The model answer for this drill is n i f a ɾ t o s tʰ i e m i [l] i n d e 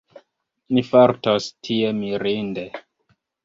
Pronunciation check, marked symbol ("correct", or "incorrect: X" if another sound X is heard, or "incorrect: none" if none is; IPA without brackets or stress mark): incorrect: ɾ